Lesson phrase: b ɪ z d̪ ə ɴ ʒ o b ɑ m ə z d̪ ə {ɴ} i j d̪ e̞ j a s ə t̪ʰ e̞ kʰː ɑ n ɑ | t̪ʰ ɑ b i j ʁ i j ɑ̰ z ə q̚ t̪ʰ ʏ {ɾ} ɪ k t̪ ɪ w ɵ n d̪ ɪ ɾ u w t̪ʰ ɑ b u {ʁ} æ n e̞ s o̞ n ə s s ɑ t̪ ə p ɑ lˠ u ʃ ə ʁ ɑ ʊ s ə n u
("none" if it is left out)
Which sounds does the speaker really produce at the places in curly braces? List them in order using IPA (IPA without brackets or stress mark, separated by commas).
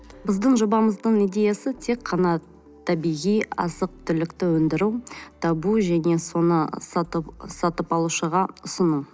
ɴ, l, ʒ